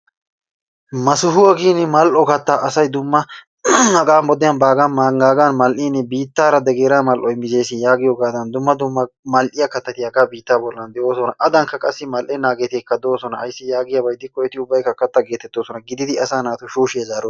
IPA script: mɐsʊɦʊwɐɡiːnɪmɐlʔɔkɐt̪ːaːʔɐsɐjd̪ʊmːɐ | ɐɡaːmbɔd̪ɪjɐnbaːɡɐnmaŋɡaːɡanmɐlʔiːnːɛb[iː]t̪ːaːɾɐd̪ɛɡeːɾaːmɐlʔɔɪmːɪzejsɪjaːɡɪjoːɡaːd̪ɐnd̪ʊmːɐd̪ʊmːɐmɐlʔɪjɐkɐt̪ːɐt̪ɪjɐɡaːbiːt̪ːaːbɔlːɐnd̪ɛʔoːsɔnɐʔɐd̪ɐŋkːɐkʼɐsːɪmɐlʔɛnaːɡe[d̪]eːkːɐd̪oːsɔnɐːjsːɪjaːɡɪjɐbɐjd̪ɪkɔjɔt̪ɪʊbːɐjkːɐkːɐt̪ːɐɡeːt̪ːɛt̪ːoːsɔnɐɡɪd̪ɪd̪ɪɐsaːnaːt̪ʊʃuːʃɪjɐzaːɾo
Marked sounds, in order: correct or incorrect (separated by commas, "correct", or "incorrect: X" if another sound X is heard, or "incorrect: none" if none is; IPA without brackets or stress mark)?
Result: correct, incorrect: t̪